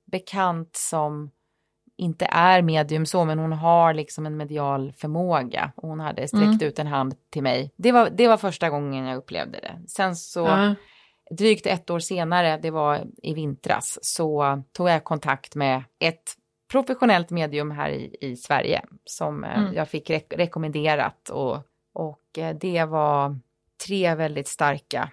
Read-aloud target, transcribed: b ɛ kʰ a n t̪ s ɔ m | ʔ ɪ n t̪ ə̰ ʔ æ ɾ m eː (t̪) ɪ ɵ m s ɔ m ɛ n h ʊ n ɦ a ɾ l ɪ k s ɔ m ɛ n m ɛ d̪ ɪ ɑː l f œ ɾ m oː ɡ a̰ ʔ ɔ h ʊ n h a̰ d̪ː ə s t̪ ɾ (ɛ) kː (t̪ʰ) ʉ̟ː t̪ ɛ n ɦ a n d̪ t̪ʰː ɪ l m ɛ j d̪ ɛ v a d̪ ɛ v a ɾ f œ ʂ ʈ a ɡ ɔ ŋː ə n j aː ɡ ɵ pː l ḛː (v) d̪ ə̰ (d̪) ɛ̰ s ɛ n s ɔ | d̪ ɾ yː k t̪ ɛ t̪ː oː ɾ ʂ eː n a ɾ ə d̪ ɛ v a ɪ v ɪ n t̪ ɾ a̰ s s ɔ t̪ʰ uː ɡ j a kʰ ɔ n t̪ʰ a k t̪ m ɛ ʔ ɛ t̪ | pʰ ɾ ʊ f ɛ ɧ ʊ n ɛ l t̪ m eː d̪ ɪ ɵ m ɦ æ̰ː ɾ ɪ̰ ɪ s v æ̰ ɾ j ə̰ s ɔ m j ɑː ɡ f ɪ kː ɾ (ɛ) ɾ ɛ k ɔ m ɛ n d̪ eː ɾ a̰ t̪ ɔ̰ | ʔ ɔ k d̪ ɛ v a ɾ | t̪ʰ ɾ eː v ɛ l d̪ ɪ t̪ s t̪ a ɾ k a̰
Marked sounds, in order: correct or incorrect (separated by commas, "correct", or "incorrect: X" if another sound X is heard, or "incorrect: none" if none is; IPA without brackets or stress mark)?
incorrect: d̪, correct, incorrect: t̪, correct, correct, correct